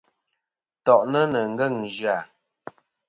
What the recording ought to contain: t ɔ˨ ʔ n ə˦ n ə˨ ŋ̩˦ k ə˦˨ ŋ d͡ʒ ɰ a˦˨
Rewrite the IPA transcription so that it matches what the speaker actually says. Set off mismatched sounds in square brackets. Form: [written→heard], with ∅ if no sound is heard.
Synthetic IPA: t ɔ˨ ʔ n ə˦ n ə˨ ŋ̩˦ [k→ɡ] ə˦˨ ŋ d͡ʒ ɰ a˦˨